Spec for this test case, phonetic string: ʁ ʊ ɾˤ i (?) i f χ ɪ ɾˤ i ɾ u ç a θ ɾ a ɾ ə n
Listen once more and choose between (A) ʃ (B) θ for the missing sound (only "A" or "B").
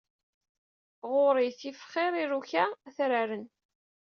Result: B